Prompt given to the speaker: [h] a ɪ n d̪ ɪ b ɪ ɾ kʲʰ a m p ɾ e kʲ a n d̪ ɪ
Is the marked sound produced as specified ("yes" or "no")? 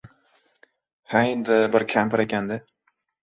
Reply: yes